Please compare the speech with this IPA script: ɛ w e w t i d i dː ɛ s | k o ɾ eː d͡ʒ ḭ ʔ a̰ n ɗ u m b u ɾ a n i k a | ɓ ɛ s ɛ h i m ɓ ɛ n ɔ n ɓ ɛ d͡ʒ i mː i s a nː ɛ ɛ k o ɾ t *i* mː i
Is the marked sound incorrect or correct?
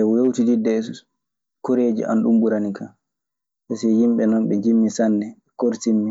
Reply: correct